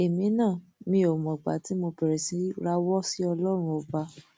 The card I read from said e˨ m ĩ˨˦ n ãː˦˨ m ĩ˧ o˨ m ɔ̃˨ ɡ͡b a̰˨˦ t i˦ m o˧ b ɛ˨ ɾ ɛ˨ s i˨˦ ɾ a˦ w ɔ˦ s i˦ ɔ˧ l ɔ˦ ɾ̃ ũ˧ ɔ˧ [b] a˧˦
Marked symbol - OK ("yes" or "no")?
yes